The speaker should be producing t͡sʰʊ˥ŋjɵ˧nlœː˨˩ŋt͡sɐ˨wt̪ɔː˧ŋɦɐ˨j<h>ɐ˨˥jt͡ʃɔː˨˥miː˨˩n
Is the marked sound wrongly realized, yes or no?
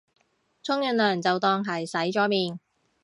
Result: yes